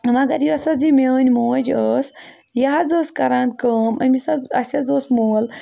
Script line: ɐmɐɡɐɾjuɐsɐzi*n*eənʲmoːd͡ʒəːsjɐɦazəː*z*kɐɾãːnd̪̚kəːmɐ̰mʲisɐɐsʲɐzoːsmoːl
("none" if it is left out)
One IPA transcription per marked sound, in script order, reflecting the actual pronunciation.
m, s

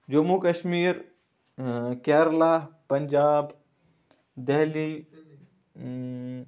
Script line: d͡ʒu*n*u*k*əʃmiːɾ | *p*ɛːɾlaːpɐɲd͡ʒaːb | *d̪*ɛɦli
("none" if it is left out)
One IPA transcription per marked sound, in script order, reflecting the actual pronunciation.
m, k, k, d̪

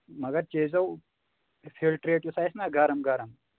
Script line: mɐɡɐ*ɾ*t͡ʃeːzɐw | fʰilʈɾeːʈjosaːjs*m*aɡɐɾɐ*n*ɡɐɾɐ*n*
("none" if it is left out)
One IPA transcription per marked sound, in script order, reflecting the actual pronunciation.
ɾ, n, m, m

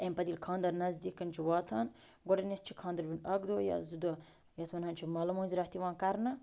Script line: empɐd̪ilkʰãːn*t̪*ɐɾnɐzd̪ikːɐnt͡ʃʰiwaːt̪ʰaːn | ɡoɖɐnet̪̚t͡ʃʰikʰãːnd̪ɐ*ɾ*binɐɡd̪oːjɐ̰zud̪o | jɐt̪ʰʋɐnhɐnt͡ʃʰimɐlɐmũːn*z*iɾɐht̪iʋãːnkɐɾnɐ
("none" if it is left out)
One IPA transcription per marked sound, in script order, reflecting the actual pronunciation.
d̪, ɾ, z

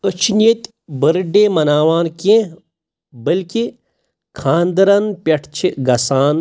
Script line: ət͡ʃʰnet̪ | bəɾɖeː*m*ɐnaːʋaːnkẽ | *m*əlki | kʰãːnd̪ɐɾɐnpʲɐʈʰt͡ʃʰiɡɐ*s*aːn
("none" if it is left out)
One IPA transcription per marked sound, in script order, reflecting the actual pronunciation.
m, b, s

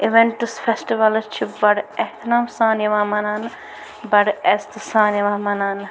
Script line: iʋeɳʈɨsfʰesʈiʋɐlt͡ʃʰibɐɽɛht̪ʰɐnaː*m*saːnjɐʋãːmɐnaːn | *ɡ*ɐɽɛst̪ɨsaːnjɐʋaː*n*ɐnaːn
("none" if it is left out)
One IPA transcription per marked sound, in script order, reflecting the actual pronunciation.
m, b, m

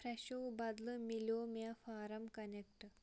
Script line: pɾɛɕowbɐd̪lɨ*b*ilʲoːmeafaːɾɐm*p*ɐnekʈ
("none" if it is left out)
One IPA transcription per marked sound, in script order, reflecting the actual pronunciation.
m, k

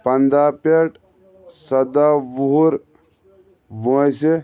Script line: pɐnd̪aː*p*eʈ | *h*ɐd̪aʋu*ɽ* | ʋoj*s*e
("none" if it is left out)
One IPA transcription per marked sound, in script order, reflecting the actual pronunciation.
p, s, ɾ, s

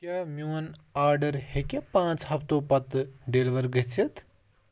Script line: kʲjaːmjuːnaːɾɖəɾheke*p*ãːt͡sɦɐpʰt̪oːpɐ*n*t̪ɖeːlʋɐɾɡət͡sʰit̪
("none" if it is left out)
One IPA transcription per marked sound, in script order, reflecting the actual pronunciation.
p, none

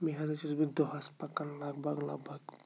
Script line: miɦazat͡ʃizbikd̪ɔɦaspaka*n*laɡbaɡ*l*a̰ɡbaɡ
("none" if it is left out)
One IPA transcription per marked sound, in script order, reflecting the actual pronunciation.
n, l

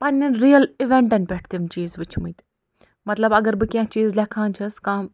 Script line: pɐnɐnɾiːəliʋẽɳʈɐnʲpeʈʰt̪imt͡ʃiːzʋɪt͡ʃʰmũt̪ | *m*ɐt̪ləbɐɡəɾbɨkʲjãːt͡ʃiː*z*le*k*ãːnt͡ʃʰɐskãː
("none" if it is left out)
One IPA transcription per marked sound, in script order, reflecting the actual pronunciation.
m, z, kʰ

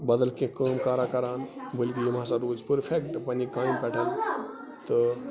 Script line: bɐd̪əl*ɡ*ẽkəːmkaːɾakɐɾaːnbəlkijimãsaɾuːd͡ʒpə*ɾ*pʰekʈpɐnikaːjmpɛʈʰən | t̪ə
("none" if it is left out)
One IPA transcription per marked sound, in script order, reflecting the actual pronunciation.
k, ɾ

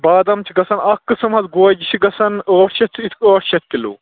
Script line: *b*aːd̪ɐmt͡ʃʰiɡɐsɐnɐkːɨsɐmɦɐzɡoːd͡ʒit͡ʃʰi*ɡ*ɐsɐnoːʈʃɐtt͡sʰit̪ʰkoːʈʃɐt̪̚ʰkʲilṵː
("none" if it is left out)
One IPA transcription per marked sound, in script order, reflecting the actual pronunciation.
b, ɡ

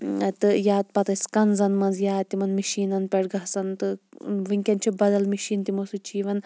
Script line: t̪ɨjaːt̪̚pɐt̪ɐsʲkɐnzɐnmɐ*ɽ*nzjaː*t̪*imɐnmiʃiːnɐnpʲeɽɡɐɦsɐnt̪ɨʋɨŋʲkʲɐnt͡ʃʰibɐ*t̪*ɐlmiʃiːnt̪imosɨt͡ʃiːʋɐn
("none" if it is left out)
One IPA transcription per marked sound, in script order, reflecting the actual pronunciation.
none, t̪, d̪

